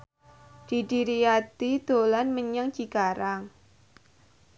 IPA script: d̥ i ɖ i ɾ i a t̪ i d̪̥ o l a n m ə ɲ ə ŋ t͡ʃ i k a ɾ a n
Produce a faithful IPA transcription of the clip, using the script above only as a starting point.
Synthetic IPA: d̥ i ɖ i ɾ i a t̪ i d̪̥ o l a n m ə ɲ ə ŋ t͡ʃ i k a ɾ a ŋ